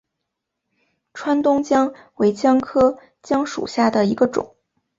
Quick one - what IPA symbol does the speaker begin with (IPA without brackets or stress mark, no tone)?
ʈ͡ʂʰ